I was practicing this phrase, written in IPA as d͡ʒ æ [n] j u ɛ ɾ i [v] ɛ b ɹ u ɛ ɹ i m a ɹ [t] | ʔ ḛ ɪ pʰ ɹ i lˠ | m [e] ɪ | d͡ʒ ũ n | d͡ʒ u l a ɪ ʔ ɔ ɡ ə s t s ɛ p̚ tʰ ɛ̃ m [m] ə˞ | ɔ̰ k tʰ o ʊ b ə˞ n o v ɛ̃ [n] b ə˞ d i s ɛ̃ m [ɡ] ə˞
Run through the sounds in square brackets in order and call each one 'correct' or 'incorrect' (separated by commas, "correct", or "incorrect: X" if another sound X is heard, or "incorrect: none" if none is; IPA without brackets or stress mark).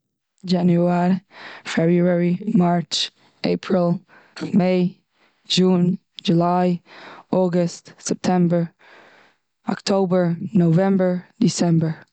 correct, incorrect: f, incorrect: t͡ʃ, correct, incorrect: b, incorrect: m, incorrect: b